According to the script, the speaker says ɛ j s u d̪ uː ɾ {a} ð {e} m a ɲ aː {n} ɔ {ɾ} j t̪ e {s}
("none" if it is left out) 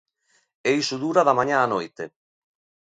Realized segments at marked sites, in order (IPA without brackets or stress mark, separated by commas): a, a, n, none, none